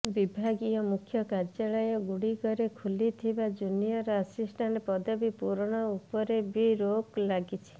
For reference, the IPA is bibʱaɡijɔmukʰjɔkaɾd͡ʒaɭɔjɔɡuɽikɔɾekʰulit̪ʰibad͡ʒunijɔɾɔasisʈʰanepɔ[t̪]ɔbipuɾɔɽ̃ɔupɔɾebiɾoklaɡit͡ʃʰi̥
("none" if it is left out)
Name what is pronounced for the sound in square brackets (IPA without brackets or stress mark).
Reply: d̪